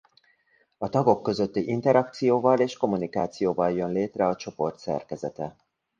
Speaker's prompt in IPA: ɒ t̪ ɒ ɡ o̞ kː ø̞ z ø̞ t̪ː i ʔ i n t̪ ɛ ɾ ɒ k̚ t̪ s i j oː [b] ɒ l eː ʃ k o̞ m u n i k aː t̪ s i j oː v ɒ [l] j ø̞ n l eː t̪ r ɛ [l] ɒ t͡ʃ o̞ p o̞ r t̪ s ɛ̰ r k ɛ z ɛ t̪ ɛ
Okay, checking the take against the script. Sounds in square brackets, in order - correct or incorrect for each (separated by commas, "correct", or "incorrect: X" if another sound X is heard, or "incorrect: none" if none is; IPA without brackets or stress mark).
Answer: incorrect: v, correct, incorrect: none